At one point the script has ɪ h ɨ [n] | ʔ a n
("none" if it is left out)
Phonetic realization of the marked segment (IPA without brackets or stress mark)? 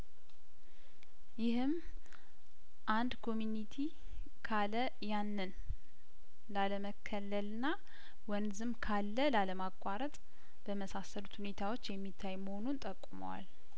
m